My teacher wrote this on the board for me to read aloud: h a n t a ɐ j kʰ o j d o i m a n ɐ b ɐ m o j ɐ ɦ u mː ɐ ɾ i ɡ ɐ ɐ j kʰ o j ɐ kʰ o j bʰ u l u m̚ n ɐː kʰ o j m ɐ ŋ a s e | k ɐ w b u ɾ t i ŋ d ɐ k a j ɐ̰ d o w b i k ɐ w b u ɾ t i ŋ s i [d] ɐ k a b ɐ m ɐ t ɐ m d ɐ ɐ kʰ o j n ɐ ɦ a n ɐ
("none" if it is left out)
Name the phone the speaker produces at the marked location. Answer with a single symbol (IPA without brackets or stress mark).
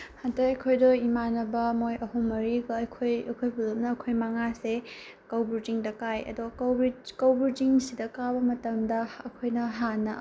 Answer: d